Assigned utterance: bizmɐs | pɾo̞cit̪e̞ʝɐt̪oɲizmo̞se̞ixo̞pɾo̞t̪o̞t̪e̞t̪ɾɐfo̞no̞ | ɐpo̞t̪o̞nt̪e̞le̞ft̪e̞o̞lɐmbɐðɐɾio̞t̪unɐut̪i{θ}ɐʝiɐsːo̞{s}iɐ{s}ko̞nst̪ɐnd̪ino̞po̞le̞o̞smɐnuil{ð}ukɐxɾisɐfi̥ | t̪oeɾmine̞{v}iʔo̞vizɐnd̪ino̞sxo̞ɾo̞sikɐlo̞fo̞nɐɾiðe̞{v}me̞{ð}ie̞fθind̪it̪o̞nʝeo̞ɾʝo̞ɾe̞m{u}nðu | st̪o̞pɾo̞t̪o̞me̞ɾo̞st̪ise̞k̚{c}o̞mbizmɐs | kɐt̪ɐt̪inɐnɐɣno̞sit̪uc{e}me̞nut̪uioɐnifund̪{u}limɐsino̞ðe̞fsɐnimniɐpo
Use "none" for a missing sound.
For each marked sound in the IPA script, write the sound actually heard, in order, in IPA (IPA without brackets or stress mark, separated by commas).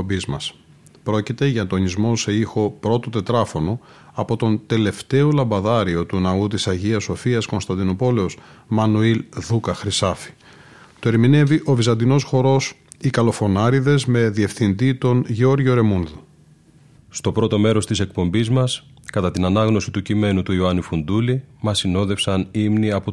s, f, s, ð, v, z, ð, u, p, i, u